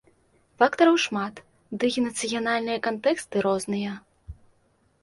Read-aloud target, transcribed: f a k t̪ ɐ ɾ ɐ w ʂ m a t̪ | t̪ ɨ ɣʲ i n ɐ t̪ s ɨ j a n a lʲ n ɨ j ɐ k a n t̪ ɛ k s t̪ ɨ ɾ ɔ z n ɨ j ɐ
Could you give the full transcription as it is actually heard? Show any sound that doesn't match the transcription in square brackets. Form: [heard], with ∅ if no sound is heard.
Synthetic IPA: f a k t̪ ɐ ɾ ɐ w ʂ m a t̪ | [d̪] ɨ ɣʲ i n ɐ t̪ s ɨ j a n a lʲ n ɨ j ɐ k a n t̪ ɛ k s t̪ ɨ ɾ ɔ z n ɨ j ɐ